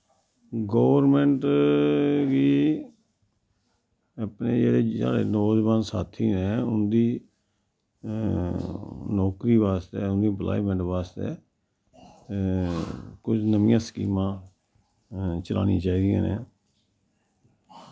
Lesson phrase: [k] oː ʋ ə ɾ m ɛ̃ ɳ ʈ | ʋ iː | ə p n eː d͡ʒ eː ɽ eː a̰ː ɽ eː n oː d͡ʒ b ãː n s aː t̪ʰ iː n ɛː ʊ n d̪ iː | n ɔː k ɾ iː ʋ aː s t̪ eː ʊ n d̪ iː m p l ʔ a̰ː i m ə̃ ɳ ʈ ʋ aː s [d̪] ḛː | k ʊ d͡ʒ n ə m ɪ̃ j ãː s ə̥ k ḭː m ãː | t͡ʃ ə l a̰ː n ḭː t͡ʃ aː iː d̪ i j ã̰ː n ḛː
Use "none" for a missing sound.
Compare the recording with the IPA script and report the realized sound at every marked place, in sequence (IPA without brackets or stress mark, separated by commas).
ɡ, t̪